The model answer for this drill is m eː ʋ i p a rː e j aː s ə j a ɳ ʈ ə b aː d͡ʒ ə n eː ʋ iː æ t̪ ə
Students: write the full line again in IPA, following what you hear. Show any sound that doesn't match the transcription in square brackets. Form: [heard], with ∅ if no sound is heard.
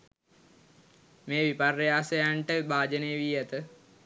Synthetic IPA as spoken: m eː ʋ i p a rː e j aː s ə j a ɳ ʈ ə b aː d͡ʒ ə n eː ʋ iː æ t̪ ə